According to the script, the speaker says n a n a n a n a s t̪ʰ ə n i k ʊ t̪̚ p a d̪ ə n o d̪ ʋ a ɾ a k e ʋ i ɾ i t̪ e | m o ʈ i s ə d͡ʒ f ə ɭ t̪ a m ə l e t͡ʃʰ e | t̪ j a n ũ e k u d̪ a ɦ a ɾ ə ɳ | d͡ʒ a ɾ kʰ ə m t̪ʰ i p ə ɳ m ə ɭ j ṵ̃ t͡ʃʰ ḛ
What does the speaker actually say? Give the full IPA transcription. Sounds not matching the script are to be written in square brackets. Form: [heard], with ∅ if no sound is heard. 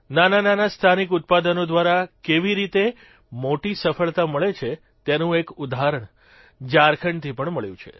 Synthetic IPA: n a n a n a n a s t̪ʰ [a] n i k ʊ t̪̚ p a d̪ ə n o d̪ ʋ a ɾ a k e ʋ i ɾ i t̪ e | m o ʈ i s ə [∅] f ə ɭ t̪ a m ə [ɭ] e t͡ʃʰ e | t̪ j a n ũ e k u d̪ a ɦ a ɾ ə ɳ | d͡ʒ a ɾ kʰ ə [ɳ] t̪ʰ i p ə ɳ m ə ɭ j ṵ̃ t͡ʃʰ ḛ